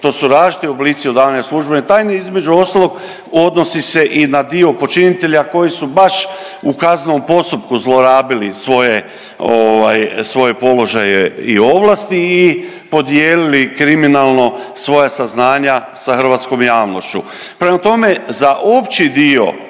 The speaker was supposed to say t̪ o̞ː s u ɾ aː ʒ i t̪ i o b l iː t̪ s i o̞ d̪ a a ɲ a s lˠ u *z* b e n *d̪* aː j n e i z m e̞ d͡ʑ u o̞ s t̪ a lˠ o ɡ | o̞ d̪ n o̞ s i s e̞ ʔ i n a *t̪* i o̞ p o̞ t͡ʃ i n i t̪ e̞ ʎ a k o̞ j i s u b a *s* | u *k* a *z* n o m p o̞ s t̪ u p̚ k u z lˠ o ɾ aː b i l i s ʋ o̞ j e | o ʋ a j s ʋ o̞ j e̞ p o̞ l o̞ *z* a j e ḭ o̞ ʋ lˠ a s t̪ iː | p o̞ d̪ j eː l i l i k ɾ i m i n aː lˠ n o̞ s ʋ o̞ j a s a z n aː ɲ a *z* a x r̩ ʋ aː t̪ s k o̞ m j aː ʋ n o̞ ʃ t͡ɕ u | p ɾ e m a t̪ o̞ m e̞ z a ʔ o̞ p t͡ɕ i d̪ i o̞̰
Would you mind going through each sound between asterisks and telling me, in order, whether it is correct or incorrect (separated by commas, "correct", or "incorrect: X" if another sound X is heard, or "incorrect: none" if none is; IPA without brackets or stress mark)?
incorrect: ʒ, incorrect: t̪, incorrect: d̪, incorrect: ʃ, correct, correct, incorrect: ʒ, incorrect: s